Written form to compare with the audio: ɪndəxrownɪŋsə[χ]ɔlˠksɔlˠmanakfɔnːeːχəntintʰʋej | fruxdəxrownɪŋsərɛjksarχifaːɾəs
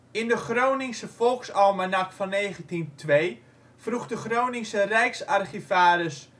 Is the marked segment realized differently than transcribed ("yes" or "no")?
yes